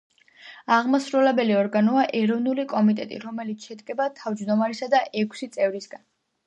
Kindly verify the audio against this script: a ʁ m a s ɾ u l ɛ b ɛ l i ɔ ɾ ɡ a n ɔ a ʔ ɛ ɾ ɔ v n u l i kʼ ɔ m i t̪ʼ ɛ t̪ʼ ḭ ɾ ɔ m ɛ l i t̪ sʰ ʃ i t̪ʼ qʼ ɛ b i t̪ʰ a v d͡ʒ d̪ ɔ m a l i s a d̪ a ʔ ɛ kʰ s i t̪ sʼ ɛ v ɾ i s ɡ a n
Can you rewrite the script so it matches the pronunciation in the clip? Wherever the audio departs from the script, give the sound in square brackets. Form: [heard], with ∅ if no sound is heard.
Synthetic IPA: a ʁ m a s ɾ u l ɛ b ɛ l i ɔ ɾ ɡ a n ɔ a ʔ ɛ ɾ ɔ v n u l i kʼ ɔ m i t̪ʼ ɛ t̪ʼ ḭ ɾ ɔ m ɛ l i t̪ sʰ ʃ [ɛ] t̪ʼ [kʼ] ɛ b [a] t̪ʰ a v d͡ʒ d̪ ɔ m a [ɾ] i s a d̪ a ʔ ɛ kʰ s i t̪ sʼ ɛ v ɾ i s ɡ a n